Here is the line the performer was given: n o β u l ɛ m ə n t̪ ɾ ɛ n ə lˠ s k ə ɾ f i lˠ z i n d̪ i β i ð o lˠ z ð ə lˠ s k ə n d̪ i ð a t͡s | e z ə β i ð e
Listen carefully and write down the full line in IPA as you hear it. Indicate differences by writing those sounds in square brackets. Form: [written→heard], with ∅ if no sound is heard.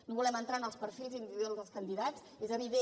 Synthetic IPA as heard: n o β u l ɛ m ə n t̪ ɾ [ɛ→a] n ə lˠ s [k→p] ə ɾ f i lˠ z i n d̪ i β i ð o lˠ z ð ə lˠ s k ə n d̪ i ð a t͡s | e z ə β i ð e